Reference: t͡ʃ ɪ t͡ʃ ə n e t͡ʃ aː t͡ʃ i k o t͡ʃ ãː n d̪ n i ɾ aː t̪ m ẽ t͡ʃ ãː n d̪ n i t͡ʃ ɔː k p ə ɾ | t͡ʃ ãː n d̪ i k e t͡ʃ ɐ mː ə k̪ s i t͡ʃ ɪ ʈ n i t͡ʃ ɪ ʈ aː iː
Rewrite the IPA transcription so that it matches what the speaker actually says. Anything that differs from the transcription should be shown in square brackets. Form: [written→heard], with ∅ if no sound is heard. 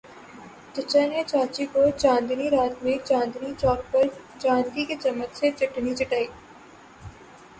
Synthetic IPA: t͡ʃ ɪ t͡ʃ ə n e t͡ʃ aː t͡ʃ i k o t͡ʃ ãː n d̪ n i ɾ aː t̪ m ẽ t͡ʃ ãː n d̪ n i t͡ʃ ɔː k p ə ɾ | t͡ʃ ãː n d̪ i k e t͡ʃ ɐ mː ə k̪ s [i→e] t͡ʃ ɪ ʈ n i t͡ʃ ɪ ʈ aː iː